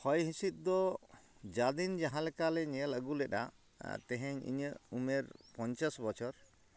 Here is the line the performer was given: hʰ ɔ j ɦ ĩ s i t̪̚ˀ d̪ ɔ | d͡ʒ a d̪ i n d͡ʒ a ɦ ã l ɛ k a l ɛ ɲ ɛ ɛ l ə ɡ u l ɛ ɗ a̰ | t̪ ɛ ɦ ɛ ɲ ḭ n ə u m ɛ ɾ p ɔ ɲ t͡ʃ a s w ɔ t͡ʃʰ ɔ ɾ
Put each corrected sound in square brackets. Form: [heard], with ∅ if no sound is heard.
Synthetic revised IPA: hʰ ɔ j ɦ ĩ s i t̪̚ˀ d̪ ɔ | d͡ʒ a d̪ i n d͡ʒ a ɦ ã l ɛ k a l ɛ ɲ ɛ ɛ l ə ɡ u l ɛ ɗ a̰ | t̪ ɛ ɦ ɛ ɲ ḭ [ɲ] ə u m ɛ ɾ p ɔ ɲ t͡ʃ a s [b] ɔ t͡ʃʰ ɔ ɾ